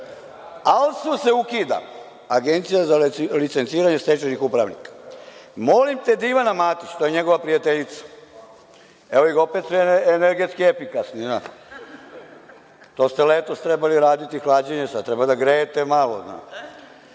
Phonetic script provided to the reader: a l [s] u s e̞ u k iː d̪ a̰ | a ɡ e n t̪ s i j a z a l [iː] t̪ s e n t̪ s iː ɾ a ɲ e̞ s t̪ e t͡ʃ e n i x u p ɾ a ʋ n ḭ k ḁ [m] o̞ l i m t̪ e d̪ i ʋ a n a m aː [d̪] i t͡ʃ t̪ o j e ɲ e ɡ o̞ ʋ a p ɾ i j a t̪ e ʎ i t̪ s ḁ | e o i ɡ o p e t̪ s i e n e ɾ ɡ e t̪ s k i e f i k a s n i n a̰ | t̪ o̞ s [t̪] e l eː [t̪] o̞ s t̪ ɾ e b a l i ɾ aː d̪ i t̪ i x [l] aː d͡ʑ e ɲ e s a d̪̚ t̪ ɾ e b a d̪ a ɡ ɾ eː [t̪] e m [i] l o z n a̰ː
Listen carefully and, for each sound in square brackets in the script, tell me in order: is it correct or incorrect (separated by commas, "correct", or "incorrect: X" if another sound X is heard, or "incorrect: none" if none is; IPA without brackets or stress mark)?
correct, incorrect: i, correct, incorrect: t̪, correct, correct, correct, correct, incorrect: a